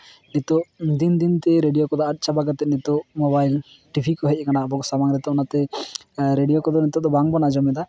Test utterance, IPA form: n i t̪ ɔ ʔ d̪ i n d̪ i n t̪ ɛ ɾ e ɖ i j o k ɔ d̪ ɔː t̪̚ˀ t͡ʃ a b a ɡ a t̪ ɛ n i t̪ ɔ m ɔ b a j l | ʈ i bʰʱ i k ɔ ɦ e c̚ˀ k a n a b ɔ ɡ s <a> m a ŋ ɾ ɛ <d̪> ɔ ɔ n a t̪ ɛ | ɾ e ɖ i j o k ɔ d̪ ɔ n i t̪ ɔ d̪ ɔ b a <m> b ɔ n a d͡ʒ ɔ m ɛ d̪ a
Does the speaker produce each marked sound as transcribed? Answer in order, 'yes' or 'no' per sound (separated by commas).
yes, no, no